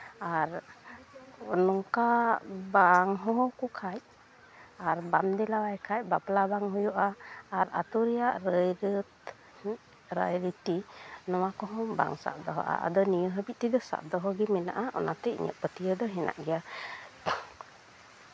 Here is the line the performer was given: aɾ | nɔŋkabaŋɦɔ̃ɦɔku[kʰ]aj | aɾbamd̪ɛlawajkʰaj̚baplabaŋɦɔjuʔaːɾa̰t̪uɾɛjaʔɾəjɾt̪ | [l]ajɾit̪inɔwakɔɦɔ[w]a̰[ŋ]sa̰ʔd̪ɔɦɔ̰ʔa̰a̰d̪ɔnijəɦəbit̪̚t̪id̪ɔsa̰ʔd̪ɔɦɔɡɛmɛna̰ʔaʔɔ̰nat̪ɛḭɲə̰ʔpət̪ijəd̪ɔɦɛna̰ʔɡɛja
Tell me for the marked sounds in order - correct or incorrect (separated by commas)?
correct, incorrect, incorrect, correct